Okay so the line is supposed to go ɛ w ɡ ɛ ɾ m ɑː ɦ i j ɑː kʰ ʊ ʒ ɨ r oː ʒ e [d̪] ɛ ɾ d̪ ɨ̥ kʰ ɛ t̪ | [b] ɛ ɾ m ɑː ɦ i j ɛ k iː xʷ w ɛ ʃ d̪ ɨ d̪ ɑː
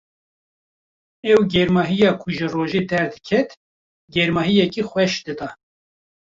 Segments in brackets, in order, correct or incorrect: correct, incorrect

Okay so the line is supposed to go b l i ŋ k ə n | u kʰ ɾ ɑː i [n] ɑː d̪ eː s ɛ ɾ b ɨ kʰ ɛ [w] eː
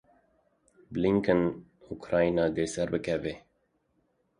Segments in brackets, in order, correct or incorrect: correct, incorrect

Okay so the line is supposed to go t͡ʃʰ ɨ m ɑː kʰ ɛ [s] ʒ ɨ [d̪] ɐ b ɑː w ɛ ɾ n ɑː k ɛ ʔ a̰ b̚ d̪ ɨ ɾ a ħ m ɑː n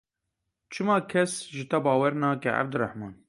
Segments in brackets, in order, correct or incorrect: correct, incorrect

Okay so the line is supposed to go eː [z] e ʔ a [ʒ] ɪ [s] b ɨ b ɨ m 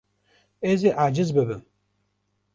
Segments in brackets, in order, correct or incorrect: correct, incorrect, incorrect

